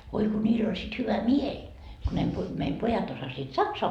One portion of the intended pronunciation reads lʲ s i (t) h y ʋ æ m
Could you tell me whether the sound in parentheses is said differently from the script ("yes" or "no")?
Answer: no